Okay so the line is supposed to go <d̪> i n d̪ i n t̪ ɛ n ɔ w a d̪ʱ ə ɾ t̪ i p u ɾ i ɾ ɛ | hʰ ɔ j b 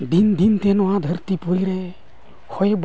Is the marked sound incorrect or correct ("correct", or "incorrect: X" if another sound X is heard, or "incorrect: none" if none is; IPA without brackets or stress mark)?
correct